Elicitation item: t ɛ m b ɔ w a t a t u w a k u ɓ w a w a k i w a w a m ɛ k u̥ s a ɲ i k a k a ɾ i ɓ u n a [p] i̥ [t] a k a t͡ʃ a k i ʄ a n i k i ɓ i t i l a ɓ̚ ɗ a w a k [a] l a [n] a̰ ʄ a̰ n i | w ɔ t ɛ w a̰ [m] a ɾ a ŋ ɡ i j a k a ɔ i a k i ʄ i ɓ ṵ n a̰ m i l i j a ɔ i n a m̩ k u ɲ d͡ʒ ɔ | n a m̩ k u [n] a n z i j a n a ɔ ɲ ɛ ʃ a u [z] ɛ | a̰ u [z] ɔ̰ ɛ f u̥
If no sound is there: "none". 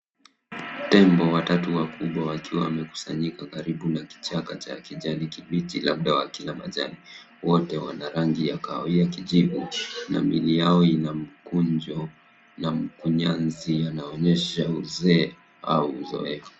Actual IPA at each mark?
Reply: k, t͡ʃ, i, m, n, ɲ, z, z

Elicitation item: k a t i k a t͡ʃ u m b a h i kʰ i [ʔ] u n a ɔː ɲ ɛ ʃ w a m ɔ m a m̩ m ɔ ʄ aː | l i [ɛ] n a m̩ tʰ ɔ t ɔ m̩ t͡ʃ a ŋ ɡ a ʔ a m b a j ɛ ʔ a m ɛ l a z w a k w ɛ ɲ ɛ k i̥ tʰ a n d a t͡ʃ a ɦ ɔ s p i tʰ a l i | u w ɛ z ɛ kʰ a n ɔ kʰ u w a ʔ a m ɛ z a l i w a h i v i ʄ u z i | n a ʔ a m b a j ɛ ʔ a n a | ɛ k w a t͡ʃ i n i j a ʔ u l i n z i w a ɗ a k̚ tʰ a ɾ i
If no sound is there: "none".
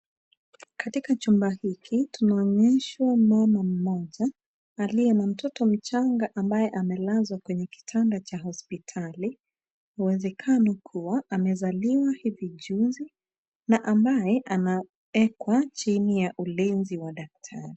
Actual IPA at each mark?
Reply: t, ɛ

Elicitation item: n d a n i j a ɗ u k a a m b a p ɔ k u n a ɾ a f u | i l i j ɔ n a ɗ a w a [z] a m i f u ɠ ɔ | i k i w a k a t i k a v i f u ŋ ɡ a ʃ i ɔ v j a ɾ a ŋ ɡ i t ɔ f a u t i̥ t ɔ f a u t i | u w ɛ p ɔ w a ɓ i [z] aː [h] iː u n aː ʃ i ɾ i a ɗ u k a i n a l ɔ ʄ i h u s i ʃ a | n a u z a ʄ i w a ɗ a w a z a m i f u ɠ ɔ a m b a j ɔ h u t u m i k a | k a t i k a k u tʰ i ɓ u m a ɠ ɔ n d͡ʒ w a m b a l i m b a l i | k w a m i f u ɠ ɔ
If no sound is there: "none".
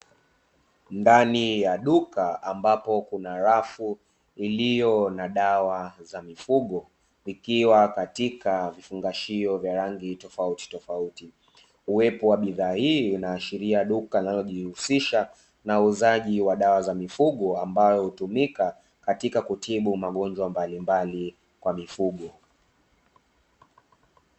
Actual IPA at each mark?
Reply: z, ð, h

